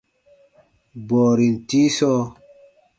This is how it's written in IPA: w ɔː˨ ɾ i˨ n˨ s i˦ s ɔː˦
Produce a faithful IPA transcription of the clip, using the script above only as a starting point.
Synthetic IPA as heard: b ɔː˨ ɾ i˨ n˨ t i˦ s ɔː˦